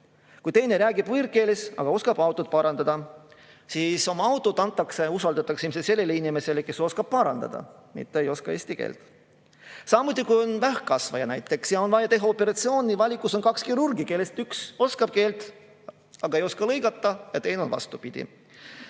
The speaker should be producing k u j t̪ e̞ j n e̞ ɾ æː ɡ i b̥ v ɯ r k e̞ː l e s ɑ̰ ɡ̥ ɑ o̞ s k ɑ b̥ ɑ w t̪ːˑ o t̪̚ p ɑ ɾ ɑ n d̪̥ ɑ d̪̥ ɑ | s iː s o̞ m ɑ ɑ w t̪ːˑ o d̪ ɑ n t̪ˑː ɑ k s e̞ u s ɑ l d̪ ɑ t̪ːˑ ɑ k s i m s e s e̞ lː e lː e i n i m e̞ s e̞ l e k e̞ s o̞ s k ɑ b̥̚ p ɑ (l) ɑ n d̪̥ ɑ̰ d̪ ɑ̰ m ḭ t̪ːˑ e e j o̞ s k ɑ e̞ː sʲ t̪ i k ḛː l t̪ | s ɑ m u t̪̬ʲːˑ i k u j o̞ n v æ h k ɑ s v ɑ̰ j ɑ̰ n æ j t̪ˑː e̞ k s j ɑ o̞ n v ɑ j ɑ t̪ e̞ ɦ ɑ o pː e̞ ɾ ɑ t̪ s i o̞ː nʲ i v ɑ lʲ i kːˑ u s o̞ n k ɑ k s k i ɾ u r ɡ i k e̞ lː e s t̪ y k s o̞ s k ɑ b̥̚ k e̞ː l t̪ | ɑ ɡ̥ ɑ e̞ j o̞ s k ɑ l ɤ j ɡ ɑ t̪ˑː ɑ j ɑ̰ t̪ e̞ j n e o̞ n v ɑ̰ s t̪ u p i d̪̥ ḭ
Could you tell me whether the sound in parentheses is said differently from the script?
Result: yes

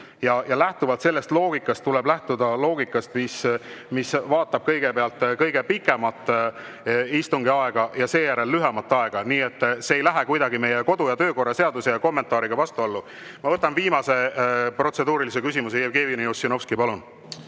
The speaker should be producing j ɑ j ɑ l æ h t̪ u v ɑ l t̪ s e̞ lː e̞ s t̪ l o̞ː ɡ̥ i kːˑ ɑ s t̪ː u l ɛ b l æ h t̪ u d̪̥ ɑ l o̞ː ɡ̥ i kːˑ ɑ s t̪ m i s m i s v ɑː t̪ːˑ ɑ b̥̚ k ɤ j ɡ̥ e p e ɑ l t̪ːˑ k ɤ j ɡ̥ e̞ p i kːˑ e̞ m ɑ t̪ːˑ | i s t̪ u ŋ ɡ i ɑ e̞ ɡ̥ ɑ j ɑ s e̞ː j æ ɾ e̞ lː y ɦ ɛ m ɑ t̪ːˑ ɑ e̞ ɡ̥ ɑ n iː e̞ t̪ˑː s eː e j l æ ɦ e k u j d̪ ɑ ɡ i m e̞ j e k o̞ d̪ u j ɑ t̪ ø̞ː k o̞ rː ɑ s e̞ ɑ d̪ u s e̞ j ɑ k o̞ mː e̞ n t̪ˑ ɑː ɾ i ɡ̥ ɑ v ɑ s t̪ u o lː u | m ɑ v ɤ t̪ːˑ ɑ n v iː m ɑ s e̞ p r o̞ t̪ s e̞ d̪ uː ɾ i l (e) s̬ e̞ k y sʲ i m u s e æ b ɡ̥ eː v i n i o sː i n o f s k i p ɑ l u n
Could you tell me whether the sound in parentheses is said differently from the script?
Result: yes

